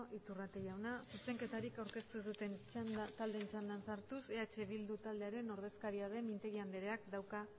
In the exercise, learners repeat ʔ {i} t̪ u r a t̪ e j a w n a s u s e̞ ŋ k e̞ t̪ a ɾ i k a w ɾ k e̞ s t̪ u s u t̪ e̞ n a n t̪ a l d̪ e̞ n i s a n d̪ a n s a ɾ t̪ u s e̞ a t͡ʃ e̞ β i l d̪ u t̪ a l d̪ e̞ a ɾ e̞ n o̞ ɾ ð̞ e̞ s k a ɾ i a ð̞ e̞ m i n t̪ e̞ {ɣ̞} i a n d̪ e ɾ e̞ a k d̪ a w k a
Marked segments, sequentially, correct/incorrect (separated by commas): correct, correct